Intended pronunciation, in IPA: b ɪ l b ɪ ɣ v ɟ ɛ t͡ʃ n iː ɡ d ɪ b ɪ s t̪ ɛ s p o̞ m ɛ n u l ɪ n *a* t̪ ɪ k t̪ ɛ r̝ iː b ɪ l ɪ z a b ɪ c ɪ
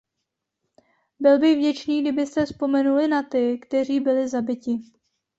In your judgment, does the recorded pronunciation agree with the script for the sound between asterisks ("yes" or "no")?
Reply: yes